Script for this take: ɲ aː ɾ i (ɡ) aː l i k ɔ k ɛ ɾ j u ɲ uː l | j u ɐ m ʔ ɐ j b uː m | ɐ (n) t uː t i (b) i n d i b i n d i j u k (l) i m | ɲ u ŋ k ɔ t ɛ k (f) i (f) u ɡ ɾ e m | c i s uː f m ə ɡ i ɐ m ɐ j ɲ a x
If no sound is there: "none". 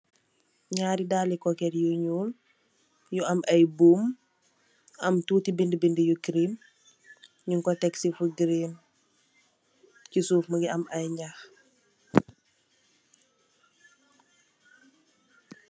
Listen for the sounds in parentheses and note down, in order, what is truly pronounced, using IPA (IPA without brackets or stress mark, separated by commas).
d, m, b, ɾ, s, f